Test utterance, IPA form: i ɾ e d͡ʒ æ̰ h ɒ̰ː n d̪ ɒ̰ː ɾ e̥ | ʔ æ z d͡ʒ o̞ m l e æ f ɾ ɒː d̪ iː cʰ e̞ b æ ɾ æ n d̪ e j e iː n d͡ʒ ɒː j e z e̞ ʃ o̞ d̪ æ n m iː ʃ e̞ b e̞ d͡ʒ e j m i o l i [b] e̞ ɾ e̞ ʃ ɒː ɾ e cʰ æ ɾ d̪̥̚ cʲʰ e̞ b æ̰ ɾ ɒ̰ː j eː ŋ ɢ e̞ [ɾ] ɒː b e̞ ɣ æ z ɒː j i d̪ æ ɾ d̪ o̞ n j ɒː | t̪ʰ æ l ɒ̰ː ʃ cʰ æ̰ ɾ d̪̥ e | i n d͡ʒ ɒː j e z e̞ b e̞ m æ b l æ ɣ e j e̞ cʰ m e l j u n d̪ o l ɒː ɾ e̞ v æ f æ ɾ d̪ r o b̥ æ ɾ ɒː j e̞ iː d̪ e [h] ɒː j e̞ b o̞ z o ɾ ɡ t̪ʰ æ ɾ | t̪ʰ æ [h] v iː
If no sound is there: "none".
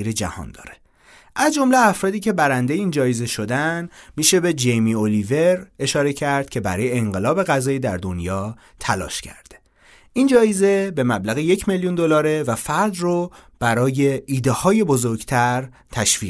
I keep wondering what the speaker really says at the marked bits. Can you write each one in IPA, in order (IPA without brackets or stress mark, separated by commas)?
v, l, h, ʃ